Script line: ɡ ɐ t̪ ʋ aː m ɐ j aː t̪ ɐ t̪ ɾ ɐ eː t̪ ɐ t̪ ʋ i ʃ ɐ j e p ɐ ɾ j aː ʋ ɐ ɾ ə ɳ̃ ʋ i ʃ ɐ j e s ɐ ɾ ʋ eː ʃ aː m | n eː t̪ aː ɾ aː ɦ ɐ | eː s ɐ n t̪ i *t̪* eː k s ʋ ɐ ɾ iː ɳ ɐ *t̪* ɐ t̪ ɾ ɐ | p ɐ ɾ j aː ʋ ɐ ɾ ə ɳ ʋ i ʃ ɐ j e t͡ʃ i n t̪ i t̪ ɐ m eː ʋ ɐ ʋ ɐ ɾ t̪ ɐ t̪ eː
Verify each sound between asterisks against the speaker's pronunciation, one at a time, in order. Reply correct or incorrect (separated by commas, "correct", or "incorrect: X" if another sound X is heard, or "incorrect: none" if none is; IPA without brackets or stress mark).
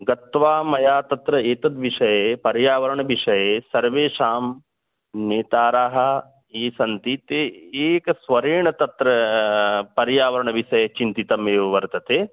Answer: correct, correct